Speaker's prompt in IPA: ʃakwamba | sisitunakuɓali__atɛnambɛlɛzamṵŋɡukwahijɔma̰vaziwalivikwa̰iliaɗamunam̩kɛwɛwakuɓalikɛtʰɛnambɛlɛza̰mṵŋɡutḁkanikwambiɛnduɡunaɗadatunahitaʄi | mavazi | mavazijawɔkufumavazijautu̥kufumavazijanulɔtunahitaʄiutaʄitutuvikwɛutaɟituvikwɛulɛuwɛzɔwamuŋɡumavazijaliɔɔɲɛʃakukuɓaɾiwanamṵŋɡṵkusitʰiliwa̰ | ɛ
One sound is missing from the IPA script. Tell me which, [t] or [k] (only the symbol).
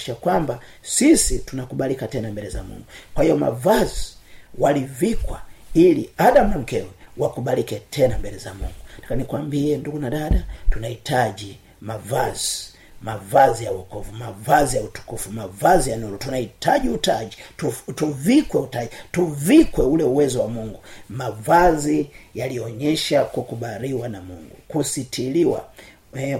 k